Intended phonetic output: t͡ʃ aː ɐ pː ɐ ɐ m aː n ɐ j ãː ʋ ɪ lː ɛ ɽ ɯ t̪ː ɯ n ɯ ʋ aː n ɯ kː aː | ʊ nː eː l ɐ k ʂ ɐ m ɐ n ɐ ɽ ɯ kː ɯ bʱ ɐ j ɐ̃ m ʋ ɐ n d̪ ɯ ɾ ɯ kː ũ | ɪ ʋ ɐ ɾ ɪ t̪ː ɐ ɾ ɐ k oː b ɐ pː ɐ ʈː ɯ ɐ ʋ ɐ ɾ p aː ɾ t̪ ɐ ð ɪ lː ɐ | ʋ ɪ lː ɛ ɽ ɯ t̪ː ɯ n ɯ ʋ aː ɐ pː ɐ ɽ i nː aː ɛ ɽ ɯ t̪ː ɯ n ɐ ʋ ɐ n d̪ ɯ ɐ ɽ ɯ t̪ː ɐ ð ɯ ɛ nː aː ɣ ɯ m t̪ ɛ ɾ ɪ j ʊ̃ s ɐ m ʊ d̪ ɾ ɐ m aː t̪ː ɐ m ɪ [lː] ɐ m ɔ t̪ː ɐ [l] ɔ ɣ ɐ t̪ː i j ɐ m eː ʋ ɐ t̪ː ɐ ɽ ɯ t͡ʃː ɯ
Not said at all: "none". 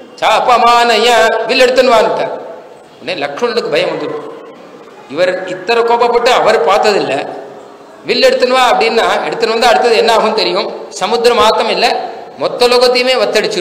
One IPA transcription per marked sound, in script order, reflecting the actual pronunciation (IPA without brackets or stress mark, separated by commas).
lː, l